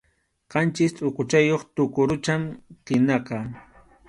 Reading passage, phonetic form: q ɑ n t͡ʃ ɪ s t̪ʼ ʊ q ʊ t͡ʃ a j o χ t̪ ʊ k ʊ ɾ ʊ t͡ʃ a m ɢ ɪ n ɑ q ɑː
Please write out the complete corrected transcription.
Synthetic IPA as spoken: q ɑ n t͡ʃ ɪ s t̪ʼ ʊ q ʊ t͡ʃ a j o χ t̪ ʊ k ʊ ɾ ʊ t͡ʃ a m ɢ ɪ n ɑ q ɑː